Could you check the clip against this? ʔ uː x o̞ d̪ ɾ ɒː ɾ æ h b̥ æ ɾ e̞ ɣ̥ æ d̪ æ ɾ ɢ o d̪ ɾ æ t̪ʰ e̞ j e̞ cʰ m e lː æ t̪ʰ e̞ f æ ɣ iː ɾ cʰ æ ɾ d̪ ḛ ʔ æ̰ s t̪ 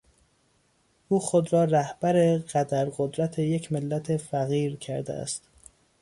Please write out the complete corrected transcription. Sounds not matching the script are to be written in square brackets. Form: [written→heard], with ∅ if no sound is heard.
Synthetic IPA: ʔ uː x o̞ d̪ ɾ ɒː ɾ æ h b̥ æ ɾ e̞ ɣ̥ æ d̪ æ ɾ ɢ o d̪ ɾ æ t̪ʰ e̞ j e̞ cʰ m e lː æ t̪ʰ e̞ f æ ɣ iː ɾ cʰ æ ɾ d̪ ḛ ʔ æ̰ s t̪